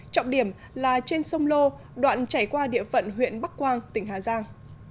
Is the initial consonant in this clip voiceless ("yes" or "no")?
yes